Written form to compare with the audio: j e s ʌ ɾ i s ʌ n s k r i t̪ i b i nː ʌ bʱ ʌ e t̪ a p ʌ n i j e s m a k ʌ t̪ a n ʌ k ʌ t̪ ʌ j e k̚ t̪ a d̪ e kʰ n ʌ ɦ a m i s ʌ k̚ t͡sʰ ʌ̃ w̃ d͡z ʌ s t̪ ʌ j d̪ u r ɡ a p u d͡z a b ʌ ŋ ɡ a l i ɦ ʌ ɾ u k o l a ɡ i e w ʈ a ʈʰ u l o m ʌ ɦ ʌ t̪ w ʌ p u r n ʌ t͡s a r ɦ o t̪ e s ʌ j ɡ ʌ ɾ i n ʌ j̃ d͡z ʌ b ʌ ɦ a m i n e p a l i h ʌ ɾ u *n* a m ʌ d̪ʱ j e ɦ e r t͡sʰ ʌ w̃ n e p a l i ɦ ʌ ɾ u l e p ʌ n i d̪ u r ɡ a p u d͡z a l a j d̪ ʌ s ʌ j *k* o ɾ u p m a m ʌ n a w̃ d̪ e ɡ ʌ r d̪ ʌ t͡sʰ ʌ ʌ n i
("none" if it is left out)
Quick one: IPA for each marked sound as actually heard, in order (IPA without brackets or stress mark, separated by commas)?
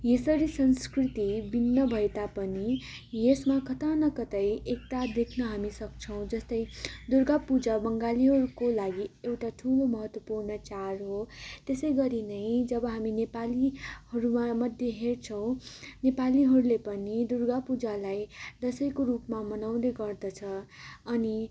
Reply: m, k